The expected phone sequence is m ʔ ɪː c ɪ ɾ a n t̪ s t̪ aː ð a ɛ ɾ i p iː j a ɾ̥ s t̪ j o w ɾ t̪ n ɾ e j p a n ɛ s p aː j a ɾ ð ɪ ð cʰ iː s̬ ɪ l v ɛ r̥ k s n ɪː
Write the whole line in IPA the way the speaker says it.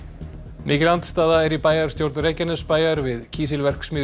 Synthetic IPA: m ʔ ɪː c ɪ l a n t̪ s t̪ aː ð a ɛ ɾ i p aː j a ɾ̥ s t̪ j o w ɾ t̪ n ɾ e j c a n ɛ s p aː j a ɾ v ɪ ð cʰ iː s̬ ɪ l v ɛ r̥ k s m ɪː